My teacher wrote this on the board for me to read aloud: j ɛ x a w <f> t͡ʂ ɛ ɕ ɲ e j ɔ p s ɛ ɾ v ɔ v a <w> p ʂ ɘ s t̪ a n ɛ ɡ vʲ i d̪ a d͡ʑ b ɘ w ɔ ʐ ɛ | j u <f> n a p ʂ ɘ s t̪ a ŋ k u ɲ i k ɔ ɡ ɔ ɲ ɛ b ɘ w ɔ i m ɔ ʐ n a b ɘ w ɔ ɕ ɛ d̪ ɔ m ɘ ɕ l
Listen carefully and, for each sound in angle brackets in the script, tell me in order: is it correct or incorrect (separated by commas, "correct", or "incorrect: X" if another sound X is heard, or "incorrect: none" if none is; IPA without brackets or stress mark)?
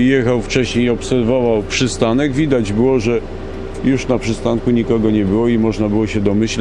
correct, correct, incorrect: ʂ